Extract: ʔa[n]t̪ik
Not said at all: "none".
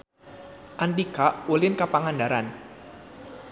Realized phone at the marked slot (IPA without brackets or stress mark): n